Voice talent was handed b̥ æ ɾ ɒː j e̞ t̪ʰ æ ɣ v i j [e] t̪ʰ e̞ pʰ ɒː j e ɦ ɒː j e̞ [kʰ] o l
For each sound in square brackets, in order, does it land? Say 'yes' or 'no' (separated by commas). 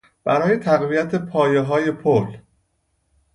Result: no, no